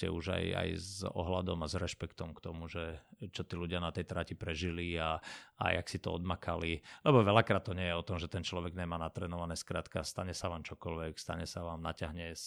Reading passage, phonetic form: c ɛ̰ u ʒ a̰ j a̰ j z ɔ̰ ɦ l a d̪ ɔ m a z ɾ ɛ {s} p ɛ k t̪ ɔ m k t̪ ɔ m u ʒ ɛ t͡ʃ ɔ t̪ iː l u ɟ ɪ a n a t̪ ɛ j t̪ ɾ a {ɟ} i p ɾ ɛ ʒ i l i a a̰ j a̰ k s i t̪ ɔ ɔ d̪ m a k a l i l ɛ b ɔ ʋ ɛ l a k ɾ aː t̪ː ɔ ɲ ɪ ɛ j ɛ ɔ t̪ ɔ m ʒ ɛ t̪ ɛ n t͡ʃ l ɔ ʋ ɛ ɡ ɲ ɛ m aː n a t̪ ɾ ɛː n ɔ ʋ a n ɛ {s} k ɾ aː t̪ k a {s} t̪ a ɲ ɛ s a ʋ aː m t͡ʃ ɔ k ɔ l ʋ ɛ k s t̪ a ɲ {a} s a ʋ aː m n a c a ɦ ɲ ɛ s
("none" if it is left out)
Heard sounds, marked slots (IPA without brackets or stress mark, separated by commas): ʃ, c, s, s, ɛ